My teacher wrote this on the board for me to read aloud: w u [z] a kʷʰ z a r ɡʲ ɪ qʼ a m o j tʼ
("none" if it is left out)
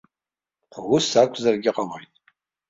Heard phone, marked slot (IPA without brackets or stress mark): s